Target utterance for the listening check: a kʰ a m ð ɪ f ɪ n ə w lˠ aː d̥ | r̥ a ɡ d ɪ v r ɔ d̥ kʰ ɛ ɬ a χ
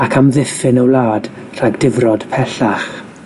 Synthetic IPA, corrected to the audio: a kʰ a m ð ɪ f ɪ n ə w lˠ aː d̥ | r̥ a ɡ d ɪ v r ɔ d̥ pʰ ɛ ɬ a χ